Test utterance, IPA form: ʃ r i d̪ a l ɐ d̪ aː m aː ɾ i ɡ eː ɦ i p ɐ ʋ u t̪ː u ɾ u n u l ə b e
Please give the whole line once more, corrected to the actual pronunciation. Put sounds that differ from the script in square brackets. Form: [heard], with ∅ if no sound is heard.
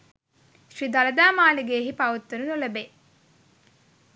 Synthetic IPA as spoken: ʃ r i d̪ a l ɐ d̪ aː m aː [l] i ɡ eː ɦ i p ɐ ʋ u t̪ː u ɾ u n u l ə b e